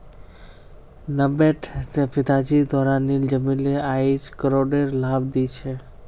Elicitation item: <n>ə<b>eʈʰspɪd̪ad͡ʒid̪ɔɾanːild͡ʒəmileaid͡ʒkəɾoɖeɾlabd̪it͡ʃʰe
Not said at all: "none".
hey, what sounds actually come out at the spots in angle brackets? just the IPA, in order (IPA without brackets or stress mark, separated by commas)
n, b